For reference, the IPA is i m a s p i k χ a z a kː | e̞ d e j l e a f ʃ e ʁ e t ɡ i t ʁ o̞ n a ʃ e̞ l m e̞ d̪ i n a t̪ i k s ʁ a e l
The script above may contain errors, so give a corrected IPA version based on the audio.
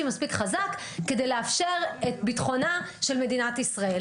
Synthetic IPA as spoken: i m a s p i k χ a z a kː | e̞ d e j l e a f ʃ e ʁ e t b i t χ o̞ n a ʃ e̞ l m e̞ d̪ i n a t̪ i s ʁ a e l